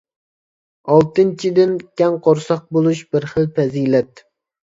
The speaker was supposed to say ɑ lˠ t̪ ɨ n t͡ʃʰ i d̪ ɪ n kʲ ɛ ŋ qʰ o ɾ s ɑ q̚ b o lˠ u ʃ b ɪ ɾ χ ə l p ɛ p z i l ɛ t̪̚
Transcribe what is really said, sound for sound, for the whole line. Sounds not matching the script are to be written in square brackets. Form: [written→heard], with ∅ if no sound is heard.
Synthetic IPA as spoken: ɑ lˠ t̪ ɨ n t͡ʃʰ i d̪ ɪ n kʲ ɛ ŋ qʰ o ɾ s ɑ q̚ b o lˠ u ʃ b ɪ ɾ χ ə l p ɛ [p→∅] z i l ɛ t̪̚

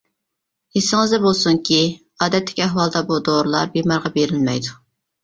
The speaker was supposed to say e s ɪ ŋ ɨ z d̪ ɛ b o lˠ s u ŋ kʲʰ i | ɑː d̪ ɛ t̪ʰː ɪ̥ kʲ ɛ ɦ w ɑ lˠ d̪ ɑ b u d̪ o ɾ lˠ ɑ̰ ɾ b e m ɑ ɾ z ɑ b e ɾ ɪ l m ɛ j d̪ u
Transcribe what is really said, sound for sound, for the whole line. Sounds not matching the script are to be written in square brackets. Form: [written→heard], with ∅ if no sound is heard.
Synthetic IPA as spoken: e s ɪ ŋ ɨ z d̪ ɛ b o lˠ s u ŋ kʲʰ i | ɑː d̪ ɛ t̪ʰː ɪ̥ kʲ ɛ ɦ w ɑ lˠ d̪ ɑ b u d̪ o ɾ lˠ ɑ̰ ɾ b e m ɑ ɾ [z→ʁ] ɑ b e ɾ ɪ l m ɛ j d̪ u

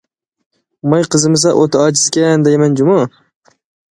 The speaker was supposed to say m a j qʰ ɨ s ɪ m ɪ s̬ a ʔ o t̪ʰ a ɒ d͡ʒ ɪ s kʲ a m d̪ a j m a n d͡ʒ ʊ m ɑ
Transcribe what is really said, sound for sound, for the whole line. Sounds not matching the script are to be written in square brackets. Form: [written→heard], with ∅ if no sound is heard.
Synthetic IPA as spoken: m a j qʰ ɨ [s→z] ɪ m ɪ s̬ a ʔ o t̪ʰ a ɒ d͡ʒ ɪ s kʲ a [m→n] d̪ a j m a n d͡ʒ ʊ m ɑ

